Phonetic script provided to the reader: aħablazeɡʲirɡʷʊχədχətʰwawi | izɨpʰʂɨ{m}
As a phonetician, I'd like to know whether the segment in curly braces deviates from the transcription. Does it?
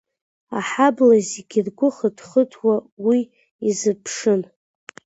yes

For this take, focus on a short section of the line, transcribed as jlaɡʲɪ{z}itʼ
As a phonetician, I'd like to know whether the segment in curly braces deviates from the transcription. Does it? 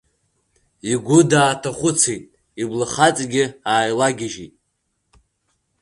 yes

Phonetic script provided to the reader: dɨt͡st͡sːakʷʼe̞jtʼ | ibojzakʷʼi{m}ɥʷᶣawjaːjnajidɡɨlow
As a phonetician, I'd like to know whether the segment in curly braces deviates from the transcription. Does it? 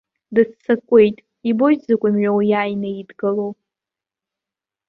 no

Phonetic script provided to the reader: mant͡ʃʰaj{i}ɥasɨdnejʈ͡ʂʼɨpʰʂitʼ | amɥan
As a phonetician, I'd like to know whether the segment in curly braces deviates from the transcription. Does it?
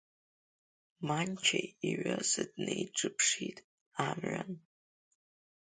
no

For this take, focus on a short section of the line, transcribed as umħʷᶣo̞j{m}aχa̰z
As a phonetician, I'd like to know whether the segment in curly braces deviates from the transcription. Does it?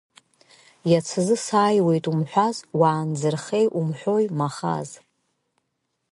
no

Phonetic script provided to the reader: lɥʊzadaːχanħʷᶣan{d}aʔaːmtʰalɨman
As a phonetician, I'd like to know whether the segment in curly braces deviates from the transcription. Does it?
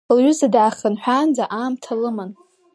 yes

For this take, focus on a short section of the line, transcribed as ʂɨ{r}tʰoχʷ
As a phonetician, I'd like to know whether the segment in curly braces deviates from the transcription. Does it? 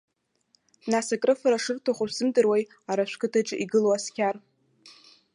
no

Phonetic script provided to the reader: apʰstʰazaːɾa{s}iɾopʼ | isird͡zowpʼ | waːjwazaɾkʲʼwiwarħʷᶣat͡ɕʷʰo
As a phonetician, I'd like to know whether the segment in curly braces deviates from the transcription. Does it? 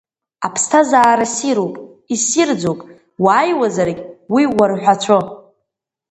no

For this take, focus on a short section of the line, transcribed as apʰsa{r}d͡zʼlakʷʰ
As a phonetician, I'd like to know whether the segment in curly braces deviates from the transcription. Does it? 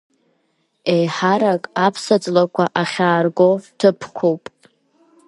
yes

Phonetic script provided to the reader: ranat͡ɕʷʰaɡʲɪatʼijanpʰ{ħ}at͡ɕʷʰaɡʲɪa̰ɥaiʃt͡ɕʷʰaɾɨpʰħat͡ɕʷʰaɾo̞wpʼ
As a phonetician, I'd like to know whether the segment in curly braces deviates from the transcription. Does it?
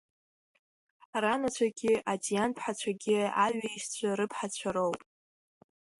no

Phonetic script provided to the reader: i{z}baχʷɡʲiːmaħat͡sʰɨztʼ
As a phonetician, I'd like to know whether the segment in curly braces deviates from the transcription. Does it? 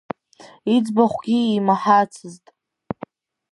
yes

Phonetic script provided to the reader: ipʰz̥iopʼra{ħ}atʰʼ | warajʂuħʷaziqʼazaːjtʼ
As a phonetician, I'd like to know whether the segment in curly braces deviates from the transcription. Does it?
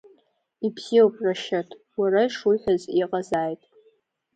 yes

